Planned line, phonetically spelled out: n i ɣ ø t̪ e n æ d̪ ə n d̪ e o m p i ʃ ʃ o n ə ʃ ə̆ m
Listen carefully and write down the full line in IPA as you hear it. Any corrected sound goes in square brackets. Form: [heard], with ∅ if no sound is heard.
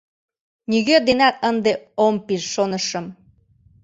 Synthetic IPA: n i ɣ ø [d̪] e n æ [t̪] ə n d̪ e o m p i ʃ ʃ o n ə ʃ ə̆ m